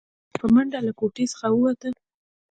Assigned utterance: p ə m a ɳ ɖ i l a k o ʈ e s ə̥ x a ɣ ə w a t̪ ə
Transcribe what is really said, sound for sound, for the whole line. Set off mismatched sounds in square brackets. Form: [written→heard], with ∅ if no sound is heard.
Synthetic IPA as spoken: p ə m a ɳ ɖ [i→a] l a k o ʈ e s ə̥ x a [ɣ→w] ə w a t̪ ə